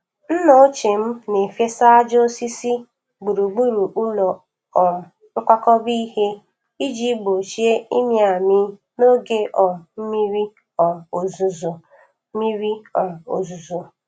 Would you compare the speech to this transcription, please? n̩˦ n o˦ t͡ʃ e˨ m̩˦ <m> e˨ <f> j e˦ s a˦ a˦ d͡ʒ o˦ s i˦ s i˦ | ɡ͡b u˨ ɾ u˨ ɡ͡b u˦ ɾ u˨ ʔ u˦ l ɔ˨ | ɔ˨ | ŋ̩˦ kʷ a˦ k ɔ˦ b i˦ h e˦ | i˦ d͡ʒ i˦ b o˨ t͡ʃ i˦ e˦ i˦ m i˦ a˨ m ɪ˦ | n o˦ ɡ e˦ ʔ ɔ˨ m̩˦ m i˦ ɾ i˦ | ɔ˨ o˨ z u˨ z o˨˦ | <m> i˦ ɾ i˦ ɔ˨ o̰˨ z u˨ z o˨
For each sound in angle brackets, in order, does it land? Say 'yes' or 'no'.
no, yes, yes

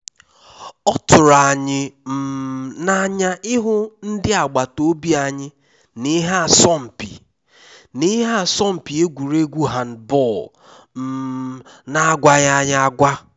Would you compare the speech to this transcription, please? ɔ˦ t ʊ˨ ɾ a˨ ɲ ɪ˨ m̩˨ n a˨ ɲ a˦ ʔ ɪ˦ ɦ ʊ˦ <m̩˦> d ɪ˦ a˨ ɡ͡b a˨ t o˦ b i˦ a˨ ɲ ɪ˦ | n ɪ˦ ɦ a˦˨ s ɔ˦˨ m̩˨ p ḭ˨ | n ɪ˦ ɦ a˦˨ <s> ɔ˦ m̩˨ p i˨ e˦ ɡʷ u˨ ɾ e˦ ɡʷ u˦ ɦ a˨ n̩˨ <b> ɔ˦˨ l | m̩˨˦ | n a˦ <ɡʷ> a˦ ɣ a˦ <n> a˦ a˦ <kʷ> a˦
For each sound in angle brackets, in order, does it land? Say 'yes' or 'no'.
no, yes, yes, yes, no, no

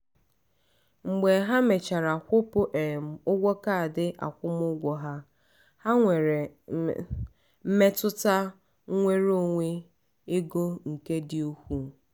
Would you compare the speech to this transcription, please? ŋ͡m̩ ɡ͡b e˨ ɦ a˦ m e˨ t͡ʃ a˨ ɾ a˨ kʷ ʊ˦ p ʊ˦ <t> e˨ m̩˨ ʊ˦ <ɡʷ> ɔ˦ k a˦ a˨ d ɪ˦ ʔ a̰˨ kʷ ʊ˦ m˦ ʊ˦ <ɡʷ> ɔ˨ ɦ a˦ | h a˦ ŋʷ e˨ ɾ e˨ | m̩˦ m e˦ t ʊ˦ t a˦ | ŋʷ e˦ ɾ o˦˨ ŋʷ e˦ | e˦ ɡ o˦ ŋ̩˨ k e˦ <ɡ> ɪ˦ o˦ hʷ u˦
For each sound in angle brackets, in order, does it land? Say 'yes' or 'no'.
no, yes, yes, no

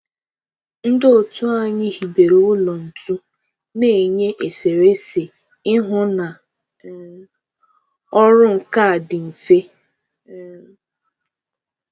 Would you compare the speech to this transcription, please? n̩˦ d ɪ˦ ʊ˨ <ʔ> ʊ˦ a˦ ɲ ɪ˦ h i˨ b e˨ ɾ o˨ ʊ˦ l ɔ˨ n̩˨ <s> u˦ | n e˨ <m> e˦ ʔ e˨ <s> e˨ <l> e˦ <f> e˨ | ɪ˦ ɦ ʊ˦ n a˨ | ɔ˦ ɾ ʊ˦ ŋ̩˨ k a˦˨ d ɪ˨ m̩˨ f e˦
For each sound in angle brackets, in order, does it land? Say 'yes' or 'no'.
no, no, no, yes, no, no

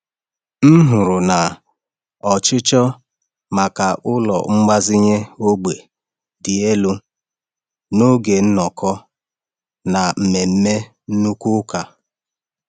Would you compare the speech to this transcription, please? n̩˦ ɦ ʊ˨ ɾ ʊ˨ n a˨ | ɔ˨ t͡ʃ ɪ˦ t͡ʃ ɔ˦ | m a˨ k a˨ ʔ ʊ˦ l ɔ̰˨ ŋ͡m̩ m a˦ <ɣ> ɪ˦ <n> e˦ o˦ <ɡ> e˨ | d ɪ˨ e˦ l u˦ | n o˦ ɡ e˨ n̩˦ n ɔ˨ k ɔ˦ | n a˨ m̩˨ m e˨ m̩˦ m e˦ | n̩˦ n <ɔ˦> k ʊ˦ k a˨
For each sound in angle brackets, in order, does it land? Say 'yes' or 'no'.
no, no, no, no

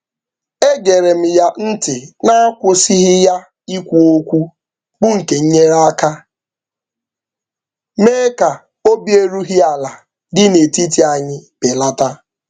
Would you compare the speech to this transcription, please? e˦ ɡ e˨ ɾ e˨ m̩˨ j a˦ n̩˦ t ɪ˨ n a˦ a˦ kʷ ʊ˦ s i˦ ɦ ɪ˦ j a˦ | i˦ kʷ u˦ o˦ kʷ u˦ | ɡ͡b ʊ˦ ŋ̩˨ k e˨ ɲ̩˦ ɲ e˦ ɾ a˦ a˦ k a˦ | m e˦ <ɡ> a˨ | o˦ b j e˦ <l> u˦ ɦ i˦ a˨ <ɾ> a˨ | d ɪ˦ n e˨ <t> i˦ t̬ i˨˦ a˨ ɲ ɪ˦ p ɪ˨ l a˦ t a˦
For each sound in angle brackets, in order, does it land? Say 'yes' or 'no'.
no, no, no, yes

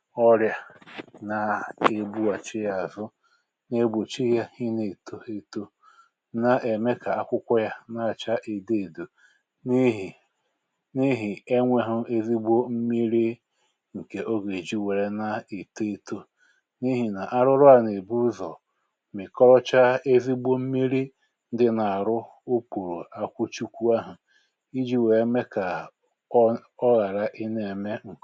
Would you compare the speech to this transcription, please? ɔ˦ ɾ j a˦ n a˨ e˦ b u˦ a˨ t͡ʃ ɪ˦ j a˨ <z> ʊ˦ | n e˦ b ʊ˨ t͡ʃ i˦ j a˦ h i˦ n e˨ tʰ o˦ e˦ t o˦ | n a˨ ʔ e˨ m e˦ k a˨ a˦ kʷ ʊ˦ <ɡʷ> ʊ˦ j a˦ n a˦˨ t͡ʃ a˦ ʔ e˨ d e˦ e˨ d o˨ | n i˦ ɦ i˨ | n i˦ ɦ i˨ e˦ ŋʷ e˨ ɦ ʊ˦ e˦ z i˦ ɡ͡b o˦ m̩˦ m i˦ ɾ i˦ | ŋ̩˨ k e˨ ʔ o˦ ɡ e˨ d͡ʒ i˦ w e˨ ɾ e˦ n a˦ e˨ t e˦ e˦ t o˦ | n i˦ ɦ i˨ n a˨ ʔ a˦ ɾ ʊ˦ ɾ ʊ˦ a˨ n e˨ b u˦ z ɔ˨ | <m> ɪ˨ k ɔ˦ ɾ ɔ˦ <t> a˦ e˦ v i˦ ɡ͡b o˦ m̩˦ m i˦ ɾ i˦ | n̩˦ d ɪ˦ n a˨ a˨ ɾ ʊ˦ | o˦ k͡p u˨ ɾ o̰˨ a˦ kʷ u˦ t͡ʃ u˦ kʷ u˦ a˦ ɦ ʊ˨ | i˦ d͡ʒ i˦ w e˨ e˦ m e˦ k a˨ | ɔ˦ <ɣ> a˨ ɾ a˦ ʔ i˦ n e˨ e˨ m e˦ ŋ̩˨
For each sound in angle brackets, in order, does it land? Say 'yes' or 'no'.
yes, no, yes, no, yes

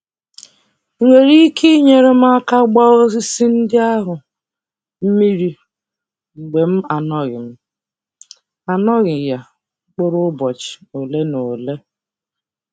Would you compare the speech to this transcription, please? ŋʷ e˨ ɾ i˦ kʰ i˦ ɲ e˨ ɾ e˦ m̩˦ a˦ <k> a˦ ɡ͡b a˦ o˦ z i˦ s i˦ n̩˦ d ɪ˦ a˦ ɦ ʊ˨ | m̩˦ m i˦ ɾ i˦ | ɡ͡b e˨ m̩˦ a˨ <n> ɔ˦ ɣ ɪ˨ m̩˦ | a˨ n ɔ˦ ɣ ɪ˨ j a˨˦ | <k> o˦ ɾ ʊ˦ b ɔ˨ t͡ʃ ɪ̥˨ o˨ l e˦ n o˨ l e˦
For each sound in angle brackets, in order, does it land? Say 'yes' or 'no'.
yes, yes, no

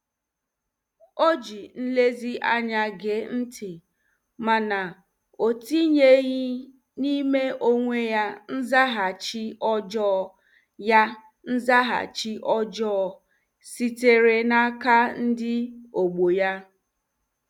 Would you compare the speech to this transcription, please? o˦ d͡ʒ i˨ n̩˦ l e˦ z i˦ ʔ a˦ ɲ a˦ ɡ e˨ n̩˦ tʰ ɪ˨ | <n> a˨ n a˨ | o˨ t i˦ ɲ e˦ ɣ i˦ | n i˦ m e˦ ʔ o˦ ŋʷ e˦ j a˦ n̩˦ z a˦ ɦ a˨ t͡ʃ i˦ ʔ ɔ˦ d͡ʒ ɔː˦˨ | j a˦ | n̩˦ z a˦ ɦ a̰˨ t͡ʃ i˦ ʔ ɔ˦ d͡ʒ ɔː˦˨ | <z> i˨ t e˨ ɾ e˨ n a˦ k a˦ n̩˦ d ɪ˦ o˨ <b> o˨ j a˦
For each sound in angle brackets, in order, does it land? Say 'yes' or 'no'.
no, no, no

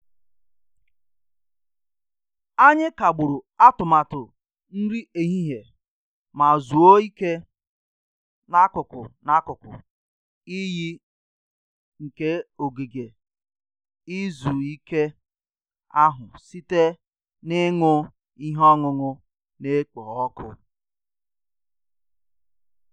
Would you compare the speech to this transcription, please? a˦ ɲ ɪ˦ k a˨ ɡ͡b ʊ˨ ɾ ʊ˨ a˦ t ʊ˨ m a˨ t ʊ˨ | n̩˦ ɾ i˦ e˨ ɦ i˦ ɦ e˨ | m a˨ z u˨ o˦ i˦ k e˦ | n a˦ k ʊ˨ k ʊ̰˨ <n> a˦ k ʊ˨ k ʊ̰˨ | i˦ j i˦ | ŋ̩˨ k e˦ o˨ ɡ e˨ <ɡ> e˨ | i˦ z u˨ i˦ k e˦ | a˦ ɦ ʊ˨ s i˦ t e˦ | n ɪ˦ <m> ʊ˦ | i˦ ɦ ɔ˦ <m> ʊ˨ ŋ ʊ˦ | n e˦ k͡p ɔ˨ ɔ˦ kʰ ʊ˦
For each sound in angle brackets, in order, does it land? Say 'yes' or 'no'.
yes, yes, no, no

